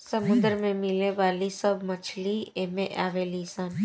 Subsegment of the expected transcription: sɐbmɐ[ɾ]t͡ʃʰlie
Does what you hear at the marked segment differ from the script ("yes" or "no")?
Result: yes